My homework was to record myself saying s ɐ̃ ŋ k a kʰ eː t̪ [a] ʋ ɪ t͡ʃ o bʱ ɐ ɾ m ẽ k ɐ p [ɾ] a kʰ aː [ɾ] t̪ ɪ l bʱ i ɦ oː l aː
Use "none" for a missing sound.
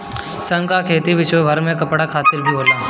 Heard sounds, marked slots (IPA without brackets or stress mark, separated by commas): i, ɽ, none